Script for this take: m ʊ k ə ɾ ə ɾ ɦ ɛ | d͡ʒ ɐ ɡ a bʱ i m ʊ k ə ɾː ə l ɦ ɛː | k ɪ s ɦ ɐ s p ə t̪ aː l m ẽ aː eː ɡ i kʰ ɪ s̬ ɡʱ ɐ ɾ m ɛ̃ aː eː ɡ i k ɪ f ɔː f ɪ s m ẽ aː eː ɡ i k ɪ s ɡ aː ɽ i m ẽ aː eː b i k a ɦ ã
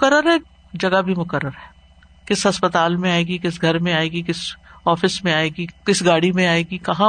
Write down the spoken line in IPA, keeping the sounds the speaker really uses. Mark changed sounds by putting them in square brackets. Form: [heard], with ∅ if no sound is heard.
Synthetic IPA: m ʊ k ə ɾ ə ɾ ɦ ɛ | d͡ʒ ɐ ɡ a bʱ i m ʊ k ə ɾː ə [ɾ] ɦ ɛː | k ɪ s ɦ ɐ s p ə t̪ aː l m ẽ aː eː ɡ i [k] ɪ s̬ ɡʱ ɐ ɾ m [ẽ] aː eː ɡ i k ɪ [s] ɔː f ɪ s m ẽ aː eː ɡ i k ɪ s ɡ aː ɽ i m ẽ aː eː [ɡ] i k [ɐ] ɦ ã